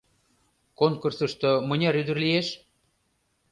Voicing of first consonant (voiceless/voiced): voiceless